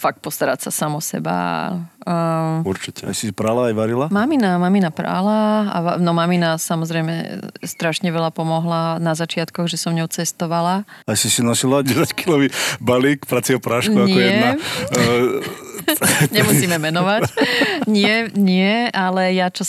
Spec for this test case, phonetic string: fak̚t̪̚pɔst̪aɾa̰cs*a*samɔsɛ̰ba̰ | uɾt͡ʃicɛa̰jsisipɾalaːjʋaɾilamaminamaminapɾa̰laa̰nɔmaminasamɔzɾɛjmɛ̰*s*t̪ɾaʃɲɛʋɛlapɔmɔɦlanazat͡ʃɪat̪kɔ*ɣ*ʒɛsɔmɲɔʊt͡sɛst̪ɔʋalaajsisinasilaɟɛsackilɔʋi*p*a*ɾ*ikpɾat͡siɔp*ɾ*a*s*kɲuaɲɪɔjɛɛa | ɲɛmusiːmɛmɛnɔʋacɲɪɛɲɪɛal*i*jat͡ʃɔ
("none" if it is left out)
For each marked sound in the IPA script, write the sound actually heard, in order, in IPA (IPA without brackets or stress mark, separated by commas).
a, s, ɣ, b, l, ɾ, ʃ, ɛ